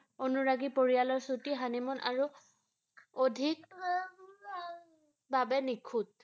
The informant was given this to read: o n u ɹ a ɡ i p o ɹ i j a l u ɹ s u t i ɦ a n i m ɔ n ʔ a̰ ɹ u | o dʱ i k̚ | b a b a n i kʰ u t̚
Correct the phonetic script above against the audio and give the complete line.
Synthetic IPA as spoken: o n u ɹ a ɡ i p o ɹ i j a l ɔ ɹ s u t i ɦ a n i m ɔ n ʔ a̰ ɹ u | o dʱ i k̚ | b a b ɛ n i kʰ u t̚